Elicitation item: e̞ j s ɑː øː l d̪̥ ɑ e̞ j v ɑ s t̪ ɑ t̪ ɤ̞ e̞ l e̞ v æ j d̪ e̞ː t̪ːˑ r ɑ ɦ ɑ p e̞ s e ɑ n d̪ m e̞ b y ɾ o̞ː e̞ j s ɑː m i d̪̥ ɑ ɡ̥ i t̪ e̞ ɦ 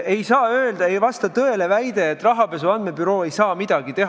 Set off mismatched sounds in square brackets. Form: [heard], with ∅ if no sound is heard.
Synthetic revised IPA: e̞ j s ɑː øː l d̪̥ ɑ e̞ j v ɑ s t̪ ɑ t̪ ɤ̞ e̞ l e̞ v æ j d̪ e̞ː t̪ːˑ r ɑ ɦ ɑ p e̞ s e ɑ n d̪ m e̞ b y ɾ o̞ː e̞ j s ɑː m i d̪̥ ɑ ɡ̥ i t̪ e̞ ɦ